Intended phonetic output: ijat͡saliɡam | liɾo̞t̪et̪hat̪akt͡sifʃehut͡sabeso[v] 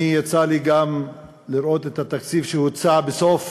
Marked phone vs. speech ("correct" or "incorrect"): incorrect